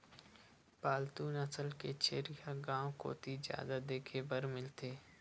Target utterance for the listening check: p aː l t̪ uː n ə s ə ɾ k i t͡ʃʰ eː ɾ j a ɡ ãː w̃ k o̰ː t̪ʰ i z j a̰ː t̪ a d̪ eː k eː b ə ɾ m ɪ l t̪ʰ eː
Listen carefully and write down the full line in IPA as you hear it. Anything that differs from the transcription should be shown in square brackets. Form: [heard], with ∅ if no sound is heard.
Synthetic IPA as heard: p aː l t̪ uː n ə s ə [l] k [e] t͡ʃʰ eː ɾ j a ɡ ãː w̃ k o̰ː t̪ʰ i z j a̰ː [d̪] a d̪ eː [kʰ] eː b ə ɾ m ɪ l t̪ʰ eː